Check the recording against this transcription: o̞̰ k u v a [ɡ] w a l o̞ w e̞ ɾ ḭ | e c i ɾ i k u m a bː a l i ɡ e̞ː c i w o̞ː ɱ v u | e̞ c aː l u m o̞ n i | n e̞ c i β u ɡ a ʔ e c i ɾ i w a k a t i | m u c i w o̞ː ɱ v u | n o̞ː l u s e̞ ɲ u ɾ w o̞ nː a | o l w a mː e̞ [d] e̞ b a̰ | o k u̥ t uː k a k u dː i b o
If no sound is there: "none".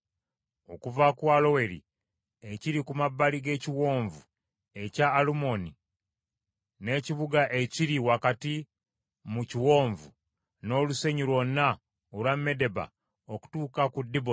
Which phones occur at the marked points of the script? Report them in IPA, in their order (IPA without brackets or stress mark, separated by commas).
k, d